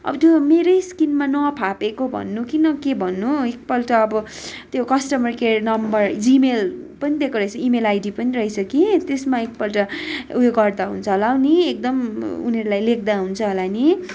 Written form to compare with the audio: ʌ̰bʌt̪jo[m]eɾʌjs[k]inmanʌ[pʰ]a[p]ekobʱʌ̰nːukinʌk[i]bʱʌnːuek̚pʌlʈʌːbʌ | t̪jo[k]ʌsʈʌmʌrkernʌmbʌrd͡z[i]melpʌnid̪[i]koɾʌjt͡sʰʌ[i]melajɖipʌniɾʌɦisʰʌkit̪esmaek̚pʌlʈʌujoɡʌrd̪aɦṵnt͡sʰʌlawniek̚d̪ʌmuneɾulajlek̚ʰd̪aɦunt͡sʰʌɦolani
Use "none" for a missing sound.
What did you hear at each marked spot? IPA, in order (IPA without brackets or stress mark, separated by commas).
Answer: m, k, pʰ, p, e, k, i, e, i